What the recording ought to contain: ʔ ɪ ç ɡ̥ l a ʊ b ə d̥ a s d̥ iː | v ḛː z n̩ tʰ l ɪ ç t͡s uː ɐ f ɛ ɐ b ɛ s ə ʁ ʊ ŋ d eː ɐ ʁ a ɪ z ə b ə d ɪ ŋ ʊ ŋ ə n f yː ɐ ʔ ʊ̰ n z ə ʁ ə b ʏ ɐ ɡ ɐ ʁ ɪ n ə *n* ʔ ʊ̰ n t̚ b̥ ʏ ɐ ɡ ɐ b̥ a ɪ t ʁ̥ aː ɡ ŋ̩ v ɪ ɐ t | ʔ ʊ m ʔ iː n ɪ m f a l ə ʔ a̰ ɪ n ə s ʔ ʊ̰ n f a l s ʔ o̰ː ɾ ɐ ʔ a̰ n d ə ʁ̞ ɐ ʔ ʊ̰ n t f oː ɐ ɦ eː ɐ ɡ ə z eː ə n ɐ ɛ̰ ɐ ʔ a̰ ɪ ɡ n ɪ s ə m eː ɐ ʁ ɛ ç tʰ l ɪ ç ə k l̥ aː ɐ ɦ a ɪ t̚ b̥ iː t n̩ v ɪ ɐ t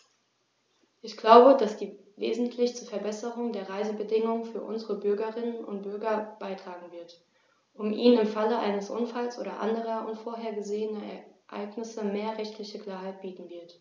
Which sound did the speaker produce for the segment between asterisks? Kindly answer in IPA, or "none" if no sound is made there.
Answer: n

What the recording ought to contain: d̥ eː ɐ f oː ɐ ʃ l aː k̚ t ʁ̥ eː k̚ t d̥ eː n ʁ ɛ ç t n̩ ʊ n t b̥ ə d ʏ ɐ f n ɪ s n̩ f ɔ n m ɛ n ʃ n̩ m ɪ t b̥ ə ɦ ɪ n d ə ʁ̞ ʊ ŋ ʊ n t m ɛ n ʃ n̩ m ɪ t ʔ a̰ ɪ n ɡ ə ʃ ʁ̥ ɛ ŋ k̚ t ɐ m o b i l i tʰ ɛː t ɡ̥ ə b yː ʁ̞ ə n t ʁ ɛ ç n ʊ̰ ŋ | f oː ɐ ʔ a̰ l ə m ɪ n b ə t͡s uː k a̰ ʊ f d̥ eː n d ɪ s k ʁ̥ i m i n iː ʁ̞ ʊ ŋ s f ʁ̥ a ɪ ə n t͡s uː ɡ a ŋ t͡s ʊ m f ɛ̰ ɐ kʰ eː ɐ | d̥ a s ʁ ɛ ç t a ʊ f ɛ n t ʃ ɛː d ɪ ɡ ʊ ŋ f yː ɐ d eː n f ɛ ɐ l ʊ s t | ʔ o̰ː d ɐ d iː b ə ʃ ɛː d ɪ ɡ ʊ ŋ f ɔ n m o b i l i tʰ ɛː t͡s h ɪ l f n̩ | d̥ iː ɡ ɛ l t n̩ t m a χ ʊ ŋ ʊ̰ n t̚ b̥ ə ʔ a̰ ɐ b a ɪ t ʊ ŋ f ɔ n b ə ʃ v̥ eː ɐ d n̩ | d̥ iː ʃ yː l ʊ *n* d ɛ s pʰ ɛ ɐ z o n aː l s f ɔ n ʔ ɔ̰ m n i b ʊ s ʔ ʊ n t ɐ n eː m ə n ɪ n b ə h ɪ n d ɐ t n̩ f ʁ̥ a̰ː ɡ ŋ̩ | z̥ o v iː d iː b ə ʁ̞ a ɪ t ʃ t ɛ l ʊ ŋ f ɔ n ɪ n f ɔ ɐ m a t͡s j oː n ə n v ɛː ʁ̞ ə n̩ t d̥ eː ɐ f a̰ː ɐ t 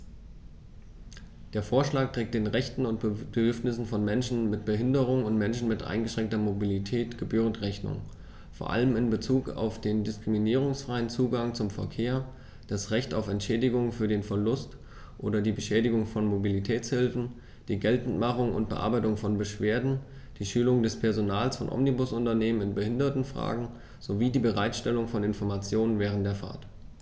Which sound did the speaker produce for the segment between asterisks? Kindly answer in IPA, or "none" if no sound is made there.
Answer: ŋ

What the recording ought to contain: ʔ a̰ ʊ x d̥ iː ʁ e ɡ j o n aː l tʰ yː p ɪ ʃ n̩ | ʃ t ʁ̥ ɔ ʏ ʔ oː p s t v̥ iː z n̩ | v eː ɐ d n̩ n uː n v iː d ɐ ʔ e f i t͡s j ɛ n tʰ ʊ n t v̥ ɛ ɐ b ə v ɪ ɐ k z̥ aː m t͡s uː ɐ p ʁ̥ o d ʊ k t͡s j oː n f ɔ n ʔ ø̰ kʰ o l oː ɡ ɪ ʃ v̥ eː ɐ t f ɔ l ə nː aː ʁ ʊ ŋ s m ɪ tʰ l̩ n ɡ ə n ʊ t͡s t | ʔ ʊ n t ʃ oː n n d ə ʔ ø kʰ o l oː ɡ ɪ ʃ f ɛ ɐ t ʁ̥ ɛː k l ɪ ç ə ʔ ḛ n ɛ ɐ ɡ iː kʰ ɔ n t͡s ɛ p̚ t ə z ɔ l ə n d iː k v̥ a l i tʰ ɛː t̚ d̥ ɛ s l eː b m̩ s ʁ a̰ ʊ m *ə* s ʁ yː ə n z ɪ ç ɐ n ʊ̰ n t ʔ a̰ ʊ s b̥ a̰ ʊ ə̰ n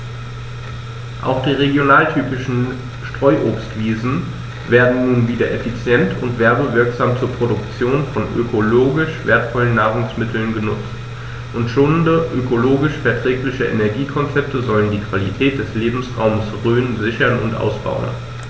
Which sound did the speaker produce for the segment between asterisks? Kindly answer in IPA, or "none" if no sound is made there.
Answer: ə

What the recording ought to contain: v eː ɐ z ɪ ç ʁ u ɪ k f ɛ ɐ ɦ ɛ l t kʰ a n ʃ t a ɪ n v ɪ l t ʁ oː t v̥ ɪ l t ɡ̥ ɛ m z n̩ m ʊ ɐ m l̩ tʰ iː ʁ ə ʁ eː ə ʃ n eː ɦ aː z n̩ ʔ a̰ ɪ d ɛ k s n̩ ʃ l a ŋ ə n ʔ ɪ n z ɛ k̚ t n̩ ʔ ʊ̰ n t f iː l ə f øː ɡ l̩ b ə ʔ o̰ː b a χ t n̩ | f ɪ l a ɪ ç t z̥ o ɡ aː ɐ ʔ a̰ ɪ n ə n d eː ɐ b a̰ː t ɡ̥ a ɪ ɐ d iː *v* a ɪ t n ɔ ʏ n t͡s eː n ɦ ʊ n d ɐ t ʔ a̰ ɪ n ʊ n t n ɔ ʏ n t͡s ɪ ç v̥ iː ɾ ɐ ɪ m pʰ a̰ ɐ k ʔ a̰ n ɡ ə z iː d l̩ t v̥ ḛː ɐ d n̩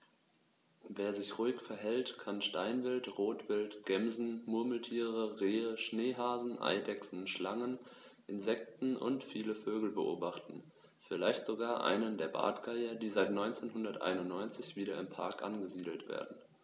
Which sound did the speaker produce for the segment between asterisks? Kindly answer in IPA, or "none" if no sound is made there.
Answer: z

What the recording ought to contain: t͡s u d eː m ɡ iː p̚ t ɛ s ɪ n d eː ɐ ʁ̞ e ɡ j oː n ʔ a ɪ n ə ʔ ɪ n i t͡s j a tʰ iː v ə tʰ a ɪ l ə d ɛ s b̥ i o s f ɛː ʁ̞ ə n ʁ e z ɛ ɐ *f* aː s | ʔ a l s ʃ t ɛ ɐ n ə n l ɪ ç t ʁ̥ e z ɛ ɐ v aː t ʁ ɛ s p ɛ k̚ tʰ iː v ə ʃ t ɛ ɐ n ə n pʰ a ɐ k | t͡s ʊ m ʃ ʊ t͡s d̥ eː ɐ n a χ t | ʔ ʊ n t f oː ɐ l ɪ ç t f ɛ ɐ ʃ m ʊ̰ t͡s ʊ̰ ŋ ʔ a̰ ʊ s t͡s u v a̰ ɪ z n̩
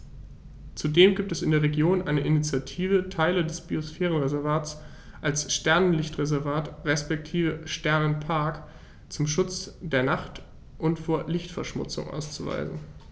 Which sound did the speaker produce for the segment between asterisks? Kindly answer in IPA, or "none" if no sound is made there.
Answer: v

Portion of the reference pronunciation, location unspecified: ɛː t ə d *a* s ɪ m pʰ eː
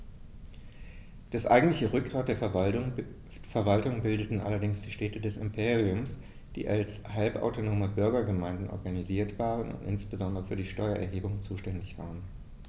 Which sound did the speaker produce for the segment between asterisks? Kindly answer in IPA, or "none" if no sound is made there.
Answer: ɛ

